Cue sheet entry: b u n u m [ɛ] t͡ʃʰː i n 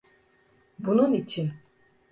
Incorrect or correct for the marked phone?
incorrect: i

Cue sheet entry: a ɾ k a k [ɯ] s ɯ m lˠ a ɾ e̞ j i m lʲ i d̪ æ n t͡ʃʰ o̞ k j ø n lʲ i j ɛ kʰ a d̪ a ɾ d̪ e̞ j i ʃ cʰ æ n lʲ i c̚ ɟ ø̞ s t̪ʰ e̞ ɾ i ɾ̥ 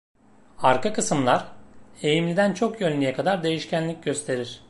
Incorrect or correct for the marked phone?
correct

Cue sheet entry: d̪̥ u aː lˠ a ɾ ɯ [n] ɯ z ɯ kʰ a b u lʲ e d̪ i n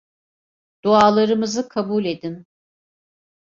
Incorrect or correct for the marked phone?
incorrect: m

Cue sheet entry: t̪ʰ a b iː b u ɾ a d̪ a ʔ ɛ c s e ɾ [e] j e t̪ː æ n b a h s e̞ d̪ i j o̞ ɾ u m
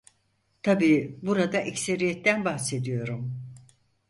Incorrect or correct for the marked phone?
incorrect: i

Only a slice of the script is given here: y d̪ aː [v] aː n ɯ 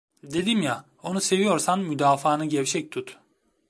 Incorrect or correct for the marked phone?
incorrect: f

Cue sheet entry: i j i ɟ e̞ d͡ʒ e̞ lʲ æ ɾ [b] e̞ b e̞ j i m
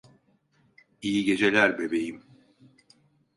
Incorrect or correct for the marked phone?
correct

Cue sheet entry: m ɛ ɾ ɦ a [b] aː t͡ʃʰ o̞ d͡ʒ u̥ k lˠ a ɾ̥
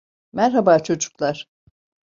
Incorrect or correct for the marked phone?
correct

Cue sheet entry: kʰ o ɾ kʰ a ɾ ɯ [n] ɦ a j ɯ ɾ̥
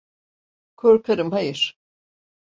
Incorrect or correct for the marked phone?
incorrect: m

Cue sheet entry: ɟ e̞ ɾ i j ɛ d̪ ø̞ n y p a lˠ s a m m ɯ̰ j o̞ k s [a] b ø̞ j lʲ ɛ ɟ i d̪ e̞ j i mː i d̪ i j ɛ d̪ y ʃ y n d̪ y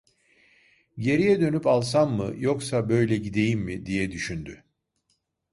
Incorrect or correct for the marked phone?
correct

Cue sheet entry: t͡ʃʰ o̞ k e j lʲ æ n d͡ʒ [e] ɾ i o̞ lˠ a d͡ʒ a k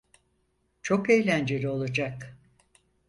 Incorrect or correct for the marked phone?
correct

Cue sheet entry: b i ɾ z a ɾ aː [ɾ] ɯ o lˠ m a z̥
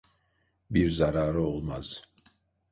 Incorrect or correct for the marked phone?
correct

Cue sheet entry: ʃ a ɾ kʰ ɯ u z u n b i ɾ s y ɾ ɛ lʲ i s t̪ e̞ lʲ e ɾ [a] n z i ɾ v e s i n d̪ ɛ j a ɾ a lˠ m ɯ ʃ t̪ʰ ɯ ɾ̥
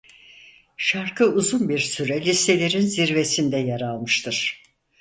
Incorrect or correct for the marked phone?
incorrect: i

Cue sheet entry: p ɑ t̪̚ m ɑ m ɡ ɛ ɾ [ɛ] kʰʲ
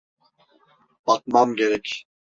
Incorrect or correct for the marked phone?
correct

